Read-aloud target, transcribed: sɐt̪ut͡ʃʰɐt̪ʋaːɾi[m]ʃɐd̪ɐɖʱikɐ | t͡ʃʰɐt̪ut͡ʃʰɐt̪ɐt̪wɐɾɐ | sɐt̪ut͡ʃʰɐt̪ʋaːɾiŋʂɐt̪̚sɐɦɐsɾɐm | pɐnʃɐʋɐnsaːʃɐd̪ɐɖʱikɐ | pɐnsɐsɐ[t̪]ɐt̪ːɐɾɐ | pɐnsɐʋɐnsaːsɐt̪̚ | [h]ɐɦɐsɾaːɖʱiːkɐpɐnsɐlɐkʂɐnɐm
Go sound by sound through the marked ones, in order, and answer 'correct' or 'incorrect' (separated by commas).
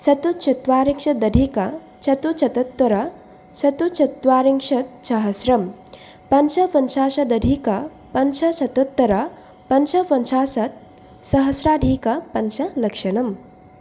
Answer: incorrect, correct, incorrect